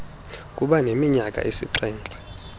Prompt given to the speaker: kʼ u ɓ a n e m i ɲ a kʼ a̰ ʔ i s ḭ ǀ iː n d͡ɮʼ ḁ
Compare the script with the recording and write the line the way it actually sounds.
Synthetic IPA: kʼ u ɓ a n e m i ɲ a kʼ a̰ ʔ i s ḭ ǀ ɛː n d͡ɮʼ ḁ